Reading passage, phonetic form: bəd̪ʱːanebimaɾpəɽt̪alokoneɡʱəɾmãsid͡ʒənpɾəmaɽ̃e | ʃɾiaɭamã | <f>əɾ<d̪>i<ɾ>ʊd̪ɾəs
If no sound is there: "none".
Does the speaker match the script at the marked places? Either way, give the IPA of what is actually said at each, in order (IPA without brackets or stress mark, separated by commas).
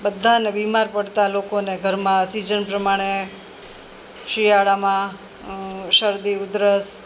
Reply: ʃ, d̪, none